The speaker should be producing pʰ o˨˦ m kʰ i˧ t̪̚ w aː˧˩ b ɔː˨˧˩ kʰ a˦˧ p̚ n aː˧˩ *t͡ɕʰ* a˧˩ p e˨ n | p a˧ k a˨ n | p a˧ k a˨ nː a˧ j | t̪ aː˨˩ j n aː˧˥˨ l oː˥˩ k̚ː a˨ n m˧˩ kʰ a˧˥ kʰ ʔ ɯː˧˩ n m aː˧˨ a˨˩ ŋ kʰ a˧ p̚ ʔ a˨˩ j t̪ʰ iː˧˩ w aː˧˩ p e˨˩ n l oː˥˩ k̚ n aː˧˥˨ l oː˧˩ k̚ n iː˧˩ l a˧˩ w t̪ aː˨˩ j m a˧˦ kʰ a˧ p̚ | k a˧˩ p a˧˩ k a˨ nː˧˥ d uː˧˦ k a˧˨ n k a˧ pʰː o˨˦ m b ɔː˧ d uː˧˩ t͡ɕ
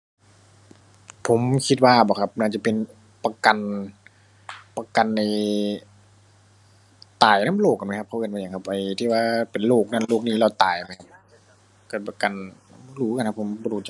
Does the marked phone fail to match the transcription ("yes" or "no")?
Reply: yes